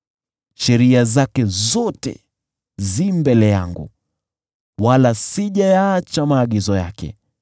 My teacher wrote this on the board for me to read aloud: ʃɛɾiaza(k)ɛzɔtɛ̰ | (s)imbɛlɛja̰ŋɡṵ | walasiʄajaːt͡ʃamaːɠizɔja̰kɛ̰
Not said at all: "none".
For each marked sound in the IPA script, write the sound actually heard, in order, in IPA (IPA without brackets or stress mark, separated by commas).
k, z